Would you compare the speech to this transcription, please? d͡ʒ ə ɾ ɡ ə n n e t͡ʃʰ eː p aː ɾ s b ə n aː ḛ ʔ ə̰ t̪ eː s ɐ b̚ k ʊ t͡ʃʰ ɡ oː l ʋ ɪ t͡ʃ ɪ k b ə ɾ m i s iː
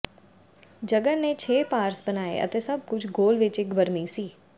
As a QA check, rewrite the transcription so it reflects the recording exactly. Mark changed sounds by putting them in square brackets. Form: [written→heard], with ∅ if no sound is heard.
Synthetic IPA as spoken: d͡ʒ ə [ɾ→∅] ɡ ə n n e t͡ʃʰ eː p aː ɾ s b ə n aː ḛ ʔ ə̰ t̪ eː s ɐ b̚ k ʊ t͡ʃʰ ɡ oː l ʋ ɪ t͡ʃ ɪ k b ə ɾ m i s iː